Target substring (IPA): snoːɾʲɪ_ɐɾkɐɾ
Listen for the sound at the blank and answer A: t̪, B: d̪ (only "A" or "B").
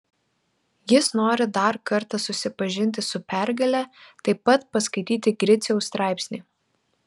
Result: B